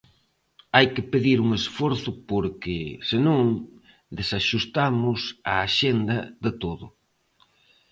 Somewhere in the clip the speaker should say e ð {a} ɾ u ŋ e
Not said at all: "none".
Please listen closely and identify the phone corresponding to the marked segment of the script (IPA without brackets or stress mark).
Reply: i